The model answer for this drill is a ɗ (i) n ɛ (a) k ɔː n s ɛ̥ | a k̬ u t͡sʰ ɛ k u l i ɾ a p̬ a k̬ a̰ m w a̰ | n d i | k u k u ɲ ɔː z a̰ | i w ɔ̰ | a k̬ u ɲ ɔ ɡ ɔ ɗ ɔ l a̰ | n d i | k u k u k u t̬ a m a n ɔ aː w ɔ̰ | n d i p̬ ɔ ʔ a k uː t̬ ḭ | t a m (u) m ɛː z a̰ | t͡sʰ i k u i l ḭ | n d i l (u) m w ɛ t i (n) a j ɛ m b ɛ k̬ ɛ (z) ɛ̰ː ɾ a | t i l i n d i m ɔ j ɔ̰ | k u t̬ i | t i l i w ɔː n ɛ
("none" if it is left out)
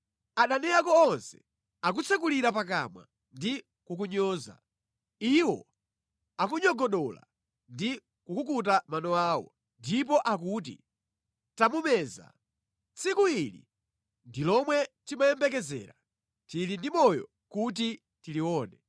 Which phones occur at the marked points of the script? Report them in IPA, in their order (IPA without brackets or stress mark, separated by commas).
a, a, u, ɔ, m, z